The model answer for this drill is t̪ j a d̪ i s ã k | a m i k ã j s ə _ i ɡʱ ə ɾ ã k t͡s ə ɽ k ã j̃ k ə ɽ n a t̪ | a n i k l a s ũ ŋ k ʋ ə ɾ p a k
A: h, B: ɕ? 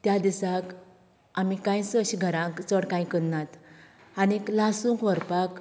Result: B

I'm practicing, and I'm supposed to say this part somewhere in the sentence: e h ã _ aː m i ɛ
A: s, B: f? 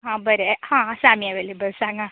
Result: A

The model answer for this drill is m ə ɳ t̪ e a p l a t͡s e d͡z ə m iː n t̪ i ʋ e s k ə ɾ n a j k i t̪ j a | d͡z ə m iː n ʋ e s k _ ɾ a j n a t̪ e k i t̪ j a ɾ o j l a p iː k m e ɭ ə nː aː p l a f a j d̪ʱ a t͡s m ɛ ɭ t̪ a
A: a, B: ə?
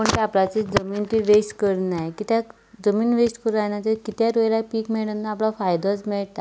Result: B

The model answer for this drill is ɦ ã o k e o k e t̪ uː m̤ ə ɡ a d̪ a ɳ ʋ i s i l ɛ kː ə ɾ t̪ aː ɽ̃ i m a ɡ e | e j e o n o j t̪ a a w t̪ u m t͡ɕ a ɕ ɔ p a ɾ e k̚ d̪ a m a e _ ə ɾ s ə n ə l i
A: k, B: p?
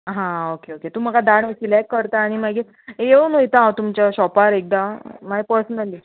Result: B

